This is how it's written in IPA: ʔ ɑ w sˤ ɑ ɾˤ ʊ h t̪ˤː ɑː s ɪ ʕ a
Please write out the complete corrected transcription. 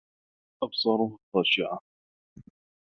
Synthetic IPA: ʔ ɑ b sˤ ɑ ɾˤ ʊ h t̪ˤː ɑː ʃ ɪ ʕ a